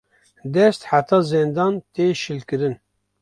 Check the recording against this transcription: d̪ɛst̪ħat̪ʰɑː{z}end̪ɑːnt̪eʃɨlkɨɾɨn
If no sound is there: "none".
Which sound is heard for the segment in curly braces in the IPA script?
z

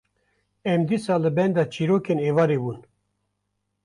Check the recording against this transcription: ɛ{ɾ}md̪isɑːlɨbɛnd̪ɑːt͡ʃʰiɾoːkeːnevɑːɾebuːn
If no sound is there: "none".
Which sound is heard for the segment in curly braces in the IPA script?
none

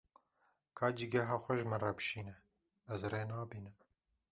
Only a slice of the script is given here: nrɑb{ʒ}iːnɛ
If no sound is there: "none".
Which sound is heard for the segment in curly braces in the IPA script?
ʃ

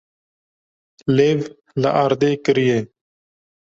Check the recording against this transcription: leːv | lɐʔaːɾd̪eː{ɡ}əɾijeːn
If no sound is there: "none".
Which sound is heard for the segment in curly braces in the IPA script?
k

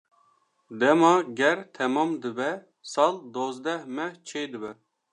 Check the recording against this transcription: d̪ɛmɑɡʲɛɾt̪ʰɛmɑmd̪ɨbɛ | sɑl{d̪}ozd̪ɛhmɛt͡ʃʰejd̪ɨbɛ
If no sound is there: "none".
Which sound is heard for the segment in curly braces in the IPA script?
d̪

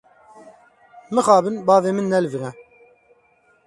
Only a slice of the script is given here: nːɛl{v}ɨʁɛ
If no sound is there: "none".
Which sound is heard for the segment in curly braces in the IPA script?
v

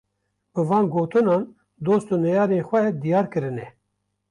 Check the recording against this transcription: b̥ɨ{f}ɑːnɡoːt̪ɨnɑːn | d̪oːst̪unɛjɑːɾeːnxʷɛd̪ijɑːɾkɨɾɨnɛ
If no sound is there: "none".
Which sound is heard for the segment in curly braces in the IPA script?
v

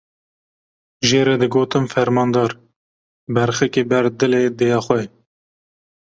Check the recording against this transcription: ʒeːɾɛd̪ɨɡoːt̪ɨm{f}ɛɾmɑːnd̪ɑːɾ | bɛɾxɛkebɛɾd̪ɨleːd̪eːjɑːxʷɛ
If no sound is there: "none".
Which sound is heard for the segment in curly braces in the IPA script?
f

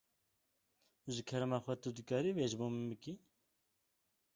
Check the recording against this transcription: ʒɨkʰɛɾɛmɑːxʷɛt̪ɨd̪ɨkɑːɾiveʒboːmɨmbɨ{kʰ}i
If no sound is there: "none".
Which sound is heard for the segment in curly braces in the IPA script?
k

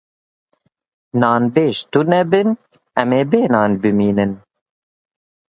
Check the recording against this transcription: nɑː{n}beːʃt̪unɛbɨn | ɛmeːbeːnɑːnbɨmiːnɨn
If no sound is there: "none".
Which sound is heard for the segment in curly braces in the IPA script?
n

